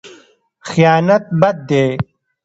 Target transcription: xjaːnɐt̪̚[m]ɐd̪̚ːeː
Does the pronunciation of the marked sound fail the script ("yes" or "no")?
yes